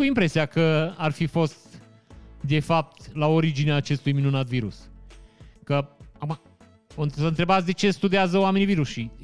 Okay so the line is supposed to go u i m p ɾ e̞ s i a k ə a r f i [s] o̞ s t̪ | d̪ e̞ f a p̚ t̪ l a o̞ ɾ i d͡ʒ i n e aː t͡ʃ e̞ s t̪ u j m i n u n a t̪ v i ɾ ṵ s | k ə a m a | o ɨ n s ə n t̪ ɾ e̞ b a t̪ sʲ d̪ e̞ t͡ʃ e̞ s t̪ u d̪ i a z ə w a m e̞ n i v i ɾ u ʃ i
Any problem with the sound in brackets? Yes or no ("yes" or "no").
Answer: yes